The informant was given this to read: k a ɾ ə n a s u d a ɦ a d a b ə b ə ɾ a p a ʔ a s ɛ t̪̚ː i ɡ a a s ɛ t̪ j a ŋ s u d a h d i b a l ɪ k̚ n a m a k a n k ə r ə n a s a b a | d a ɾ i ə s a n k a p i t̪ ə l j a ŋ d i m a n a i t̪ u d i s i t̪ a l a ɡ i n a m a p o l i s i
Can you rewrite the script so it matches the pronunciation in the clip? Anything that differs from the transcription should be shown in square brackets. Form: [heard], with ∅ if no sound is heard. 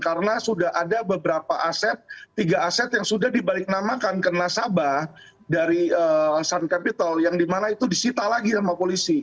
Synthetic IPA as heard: k a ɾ ə n a s u d a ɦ a d a b ə b ə ɾ a p a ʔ a s ɛ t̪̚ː i ɡ a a s ɛ t̪ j a ŋ s u d a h d i b a l ɪ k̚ n a m a k a n k ə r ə n a s a b a | d a ɾ i ə s a n k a p i t̪ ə l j a ŋ d i m a n a i t̪ u d i s i t̪ a l a ɡ i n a m a p o l i s i